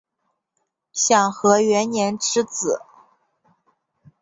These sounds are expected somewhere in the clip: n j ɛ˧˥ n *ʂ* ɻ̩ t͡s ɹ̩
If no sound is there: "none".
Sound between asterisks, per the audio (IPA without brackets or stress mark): ʈ͡ʂ